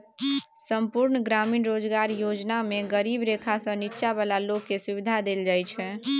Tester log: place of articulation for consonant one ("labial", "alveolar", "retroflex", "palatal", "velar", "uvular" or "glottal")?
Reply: alveolar